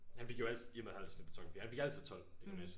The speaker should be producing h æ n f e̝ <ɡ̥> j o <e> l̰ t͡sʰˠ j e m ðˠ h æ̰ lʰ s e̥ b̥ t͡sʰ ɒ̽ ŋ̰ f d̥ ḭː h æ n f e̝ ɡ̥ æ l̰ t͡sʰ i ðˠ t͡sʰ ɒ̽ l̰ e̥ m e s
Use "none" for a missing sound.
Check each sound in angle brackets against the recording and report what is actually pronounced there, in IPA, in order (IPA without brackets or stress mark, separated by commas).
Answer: ɡ̥, æ